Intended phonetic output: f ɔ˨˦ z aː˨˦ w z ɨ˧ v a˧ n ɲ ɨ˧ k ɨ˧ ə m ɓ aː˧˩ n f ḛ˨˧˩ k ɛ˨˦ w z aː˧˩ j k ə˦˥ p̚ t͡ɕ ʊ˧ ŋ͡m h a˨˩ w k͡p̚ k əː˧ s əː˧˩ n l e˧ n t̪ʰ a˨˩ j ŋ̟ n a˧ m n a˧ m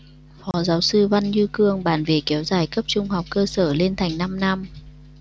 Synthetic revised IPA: f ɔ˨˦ z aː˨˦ w s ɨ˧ v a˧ n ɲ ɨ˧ k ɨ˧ ə ŋ ɓ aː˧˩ n v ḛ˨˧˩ k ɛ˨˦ w z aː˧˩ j k ə˦˥ p̚ t͡ɕ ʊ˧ ŋ͡m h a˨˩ w k͡p̚ k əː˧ s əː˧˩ l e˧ n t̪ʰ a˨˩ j ŋ̟ n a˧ m n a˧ m